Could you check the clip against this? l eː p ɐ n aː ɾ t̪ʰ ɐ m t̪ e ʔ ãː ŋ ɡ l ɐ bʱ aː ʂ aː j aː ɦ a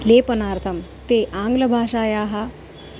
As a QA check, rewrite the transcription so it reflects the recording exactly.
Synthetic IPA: l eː p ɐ n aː ɾ t̪ʰ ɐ m t̪ e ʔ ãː ŋ ɡ l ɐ bʱ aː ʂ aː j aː ɦ a